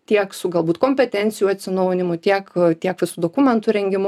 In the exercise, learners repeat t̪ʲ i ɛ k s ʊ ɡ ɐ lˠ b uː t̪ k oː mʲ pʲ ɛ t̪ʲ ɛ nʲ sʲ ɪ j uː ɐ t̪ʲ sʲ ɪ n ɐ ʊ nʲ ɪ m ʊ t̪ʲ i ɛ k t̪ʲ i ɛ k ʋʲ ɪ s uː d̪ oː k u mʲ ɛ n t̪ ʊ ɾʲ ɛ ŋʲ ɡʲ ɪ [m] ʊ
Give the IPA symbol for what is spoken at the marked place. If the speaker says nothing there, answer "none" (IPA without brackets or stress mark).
m